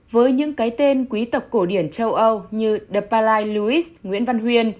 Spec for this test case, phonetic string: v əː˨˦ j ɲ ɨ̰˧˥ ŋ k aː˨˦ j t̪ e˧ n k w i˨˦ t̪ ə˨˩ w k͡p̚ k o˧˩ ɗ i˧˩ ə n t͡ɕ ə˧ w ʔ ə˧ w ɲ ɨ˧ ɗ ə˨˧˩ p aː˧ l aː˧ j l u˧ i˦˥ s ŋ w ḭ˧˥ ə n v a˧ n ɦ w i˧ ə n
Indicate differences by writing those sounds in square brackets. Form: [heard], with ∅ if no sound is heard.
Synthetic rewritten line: v əː˨˦ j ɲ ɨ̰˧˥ ŋ k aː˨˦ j t̪ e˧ n k w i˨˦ t̪ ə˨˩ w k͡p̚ k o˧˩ ɗ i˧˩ ə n t͡ɕ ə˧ w ʔ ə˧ w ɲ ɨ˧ ɗ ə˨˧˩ p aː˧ l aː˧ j l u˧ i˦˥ s ŋ w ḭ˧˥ ə n v a˧ n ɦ w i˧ ə n